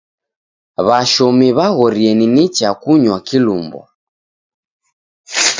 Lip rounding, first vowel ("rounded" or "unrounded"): unrounded